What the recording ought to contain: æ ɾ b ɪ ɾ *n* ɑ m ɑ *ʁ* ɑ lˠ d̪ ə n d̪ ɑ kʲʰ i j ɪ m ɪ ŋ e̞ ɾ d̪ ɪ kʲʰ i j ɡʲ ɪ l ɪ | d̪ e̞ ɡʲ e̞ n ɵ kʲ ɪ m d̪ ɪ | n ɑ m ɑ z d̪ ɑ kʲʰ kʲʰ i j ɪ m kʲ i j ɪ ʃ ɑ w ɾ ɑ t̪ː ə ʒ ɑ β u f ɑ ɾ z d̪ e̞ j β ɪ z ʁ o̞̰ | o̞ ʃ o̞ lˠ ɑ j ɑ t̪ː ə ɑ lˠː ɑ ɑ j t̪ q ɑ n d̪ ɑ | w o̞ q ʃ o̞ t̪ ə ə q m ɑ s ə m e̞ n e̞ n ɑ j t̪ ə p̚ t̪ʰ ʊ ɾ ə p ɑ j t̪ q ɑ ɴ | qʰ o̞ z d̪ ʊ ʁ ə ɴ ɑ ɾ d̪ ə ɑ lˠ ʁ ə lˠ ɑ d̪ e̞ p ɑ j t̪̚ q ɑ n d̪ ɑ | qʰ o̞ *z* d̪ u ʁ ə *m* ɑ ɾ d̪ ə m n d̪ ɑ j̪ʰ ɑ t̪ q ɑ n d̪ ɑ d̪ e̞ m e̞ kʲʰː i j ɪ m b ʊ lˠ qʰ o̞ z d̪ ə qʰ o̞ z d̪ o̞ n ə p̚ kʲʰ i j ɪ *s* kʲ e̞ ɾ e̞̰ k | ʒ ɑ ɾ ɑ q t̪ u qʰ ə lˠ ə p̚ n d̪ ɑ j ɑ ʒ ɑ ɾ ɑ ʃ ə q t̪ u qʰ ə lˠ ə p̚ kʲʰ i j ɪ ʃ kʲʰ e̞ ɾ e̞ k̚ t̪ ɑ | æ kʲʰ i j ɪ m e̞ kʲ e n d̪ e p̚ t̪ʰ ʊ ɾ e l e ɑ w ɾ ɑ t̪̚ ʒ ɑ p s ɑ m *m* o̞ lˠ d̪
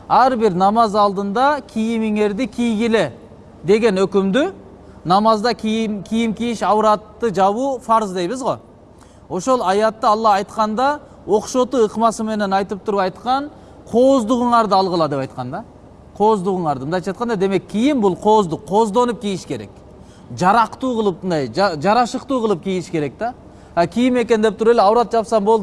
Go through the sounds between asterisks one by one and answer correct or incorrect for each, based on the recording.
correct, incorrect, correct, incorrect, incorrect, incorrect

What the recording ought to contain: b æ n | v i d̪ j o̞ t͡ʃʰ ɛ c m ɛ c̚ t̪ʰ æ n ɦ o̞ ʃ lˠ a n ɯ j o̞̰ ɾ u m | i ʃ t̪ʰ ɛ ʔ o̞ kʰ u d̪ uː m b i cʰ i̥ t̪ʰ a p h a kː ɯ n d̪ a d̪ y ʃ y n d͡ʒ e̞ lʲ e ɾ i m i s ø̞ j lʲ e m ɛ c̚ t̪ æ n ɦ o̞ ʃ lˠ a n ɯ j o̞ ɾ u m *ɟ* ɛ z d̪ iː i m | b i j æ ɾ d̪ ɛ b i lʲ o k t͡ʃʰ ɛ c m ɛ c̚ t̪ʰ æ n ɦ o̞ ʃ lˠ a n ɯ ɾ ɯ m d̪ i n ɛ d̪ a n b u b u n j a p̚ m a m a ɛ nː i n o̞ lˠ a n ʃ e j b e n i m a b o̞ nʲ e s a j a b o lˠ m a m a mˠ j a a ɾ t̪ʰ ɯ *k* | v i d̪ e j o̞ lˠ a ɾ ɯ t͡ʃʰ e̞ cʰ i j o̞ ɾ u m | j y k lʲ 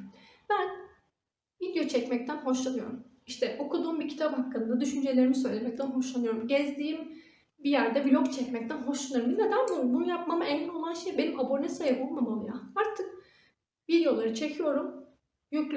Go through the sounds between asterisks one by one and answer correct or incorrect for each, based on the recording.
correct, correct

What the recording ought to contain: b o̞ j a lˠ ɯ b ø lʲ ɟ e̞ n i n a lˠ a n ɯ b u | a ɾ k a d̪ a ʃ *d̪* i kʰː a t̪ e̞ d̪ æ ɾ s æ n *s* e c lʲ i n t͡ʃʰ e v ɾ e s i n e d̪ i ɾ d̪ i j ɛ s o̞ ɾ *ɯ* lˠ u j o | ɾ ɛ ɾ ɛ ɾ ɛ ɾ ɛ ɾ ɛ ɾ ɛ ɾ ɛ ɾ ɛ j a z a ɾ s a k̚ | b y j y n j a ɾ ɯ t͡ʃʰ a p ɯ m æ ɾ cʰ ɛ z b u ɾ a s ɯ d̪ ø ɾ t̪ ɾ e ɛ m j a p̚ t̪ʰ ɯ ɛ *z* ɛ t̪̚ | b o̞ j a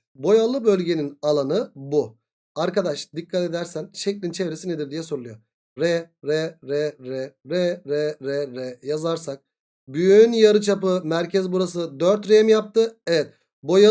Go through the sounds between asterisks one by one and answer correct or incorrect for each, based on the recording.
correct, incorrect, incorrect, incorrect

